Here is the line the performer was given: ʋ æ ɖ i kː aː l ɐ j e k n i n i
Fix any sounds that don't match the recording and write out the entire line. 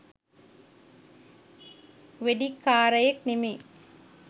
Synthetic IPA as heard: ʋ e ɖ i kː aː ɾ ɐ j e k n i m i